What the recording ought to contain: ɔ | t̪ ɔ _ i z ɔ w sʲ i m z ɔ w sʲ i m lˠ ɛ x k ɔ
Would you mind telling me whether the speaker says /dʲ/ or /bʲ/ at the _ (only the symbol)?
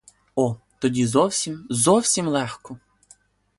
dʲ